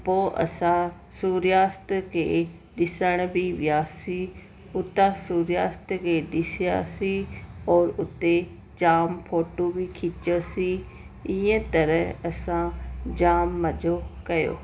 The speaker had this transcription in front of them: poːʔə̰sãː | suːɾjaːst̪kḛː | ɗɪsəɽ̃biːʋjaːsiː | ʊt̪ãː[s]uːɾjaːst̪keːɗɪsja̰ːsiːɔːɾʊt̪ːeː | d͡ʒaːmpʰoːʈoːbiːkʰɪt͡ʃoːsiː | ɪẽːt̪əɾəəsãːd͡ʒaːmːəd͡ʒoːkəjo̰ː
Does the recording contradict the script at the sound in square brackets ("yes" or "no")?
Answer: no